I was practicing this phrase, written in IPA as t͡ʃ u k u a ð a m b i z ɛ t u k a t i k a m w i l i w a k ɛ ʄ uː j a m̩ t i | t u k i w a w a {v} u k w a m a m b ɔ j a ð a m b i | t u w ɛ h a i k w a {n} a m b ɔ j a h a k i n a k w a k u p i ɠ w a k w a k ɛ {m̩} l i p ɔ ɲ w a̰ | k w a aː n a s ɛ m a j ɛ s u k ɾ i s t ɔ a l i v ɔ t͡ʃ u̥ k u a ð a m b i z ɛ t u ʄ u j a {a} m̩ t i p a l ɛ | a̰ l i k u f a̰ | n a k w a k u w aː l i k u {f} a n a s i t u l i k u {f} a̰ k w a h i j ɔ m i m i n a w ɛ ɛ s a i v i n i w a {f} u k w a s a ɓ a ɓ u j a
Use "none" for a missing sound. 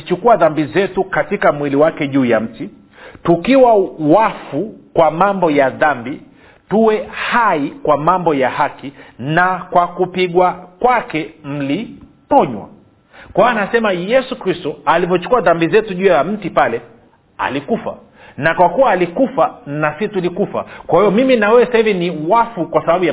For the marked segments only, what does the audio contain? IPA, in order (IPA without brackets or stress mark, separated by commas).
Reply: f, m, m̩, a, f, f, f